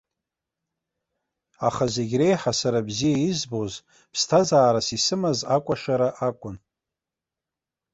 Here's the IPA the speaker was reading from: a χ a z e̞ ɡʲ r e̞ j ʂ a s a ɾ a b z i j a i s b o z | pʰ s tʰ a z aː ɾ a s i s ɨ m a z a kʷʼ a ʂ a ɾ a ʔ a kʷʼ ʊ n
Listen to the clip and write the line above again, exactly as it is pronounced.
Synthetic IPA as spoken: a χ a z e̞ ɡʲ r e̞ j ħ a s a ɾ a b z i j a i z b o z | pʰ s tʰ a z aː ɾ a s i s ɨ m a z a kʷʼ a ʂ a ɾ a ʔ a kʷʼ ʊ n